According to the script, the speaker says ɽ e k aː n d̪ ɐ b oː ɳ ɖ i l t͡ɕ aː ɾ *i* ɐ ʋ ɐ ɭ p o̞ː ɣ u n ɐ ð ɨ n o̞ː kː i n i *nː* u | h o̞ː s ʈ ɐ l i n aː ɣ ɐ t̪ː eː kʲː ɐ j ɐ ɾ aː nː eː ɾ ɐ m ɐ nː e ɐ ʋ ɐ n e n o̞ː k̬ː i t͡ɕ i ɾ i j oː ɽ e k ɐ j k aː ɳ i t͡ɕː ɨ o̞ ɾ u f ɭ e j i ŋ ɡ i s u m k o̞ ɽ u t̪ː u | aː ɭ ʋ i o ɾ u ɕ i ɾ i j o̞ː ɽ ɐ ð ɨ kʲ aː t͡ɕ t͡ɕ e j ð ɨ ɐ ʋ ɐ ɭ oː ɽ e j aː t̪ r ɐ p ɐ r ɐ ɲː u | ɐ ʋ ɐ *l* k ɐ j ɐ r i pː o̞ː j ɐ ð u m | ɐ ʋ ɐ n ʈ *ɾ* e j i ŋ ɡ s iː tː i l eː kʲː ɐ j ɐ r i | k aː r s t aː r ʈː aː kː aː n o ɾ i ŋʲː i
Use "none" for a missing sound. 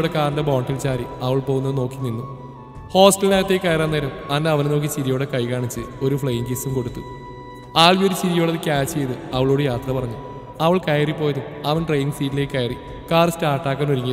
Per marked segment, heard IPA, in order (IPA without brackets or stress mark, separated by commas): i, nː, ɭ, r